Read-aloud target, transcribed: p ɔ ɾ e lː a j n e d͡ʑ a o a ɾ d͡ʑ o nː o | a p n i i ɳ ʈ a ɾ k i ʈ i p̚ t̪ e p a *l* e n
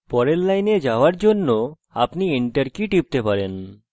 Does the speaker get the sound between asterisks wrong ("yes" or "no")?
yes